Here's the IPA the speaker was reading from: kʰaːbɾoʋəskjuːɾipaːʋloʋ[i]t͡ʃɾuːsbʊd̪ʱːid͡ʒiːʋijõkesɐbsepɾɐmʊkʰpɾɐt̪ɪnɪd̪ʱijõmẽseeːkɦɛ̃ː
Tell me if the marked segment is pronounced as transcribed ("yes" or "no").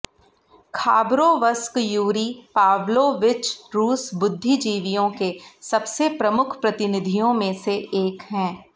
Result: no